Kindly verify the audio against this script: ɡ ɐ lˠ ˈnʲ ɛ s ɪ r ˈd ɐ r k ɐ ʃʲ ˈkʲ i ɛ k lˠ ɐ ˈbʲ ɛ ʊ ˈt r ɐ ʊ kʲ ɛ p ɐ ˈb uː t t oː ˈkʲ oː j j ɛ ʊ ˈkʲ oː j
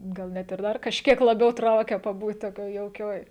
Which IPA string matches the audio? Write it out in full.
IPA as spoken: ɡ ɐ lˠ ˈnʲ ɛ t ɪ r ˈd ɐ r k ɐ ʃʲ ˈkʲ i ɛ k lˠ ɐ ˈbʲ ɛ ʊ ˈt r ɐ ʊ kʲ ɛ p ɐ ˈb uː t t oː ˈkʲ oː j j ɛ ʊ ˈkʲ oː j